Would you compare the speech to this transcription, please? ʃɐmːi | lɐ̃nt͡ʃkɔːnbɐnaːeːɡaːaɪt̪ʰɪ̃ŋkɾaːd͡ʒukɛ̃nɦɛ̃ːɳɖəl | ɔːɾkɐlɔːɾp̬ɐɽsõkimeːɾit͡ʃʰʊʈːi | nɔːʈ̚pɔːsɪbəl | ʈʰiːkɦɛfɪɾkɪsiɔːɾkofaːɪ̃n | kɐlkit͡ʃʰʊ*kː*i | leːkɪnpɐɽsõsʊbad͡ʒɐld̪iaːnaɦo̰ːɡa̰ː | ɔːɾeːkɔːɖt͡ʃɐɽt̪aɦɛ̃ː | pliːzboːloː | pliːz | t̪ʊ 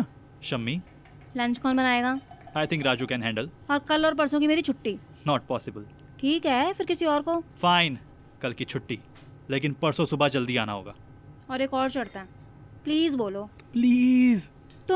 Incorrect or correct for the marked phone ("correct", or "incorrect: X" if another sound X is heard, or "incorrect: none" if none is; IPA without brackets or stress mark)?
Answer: incorrect: ʈː